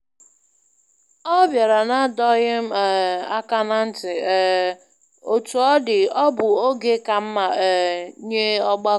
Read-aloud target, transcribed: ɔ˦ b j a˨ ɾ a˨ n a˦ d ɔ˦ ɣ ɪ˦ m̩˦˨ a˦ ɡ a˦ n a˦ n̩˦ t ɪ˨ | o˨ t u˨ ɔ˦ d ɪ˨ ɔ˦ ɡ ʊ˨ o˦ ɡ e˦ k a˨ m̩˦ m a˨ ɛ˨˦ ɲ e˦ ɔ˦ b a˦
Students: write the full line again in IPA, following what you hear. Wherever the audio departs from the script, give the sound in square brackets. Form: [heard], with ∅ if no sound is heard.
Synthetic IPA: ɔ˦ b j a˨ ɾ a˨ n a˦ d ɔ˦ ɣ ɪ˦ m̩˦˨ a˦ [k] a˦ n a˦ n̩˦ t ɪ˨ | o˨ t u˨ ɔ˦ d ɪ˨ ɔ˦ [b] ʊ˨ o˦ ɡ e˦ k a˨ m̩˦ m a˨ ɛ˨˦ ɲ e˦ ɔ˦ [ɡ͡b] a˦